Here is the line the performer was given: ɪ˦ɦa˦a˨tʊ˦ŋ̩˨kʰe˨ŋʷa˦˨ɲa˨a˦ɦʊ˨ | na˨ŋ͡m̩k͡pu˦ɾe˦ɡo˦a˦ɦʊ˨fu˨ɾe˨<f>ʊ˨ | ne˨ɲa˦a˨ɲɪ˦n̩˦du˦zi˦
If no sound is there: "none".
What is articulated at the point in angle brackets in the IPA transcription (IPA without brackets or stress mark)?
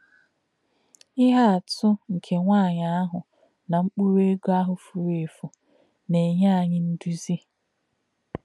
f